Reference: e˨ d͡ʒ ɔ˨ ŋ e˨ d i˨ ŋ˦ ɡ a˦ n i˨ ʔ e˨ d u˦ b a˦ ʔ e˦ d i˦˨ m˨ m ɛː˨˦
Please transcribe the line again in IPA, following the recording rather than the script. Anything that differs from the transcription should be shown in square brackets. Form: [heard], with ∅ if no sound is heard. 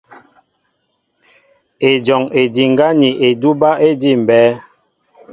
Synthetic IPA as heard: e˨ d͡ʒ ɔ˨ ŋ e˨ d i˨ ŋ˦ ɡ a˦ n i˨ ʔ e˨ d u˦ b a˦ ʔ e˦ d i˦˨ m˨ [b] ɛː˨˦